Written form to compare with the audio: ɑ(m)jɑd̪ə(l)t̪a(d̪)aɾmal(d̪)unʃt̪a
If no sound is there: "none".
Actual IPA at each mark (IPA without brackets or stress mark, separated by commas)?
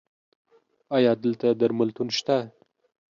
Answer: none, l, d̪, t̪